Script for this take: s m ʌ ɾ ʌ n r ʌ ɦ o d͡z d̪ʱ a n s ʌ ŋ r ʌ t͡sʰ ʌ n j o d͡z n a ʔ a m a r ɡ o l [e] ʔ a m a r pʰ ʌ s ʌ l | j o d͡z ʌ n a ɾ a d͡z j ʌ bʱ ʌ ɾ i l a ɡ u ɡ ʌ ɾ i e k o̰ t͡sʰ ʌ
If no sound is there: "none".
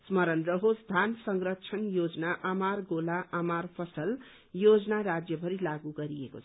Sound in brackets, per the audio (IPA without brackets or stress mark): a